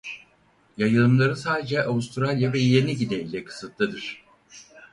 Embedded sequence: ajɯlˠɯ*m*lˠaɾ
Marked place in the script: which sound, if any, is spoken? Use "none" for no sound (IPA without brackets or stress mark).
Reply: m